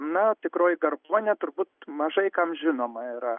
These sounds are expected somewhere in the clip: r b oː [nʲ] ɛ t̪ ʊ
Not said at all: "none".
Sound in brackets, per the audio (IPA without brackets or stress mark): nʲ